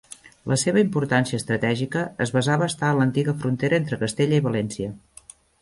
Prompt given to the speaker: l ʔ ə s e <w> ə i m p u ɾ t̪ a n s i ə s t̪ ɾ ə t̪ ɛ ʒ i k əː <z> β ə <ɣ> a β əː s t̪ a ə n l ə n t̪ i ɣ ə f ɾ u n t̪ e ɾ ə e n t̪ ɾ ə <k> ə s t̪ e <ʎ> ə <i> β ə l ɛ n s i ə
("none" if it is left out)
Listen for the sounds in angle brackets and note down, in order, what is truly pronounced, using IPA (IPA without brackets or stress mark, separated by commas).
β, z, z, k, ʎ, i